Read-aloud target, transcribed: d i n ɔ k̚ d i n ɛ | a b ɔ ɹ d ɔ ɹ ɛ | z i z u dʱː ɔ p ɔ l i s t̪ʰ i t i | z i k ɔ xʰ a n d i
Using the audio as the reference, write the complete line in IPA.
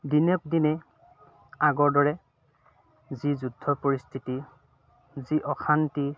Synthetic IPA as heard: d i n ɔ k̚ d i n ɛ | a ɡ ɔ ɹ d ɔ ɹ ɛ | z i z u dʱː ɔ p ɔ ɹ i s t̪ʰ i t i | z i ʔ ɔ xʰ a n t i